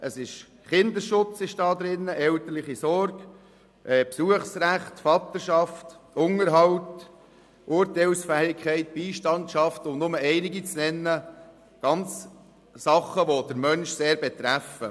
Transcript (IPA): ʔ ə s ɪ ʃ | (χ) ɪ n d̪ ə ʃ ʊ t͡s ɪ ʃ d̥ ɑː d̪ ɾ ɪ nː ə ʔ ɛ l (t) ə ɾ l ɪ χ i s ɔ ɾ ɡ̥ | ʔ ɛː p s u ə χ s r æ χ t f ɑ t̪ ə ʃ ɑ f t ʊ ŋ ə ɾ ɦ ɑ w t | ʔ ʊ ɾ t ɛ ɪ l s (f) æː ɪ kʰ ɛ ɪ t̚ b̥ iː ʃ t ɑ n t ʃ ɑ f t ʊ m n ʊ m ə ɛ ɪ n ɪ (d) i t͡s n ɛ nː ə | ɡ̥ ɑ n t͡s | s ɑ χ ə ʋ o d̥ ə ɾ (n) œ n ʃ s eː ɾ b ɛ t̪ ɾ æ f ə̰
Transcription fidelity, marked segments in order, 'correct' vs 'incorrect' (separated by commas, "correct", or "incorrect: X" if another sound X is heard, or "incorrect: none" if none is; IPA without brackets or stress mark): correct, correct, correct, incorrect: ɡ, incorrect: m